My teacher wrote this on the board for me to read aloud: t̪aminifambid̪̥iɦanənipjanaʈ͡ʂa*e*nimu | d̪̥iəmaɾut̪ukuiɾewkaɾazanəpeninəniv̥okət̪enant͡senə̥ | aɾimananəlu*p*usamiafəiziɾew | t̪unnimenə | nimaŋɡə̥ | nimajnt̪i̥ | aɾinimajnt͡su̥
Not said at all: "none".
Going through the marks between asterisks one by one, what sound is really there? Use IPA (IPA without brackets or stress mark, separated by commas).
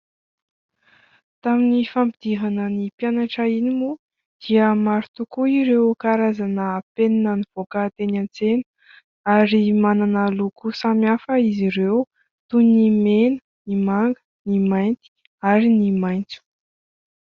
i, k